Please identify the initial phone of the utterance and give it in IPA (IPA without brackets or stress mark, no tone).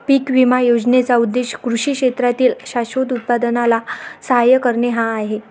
p